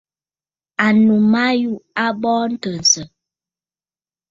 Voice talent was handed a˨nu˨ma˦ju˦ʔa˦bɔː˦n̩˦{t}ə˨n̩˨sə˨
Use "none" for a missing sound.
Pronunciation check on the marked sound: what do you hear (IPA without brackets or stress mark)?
t